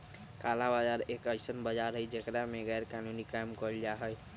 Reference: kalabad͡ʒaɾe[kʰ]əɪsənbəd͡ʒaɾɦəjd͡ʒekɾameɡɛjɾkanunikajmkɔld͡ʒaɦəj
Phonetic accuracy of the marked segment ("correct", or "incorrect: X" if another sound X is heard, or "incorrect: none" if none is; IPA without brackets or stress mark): incorrect: k